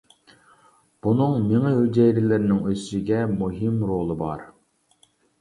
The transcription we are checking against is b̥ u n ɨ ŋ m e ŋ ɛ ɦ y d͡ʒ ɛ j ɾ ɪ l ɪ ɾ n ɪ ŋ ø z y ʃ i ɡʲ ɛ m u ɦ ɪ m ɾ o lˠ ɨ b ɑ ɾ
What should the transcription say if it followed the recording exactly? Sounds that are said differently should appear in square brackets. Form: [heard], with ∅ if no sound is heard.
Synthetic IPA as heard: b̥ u n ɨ ŋ m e ŋ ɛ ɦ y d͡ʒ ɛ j ɾ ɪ l ɪ ɾ n ɪ ŋ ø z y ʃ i ɡʲ ɛ m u ɦ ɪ m ɾ o lˠ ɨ b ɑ ɾ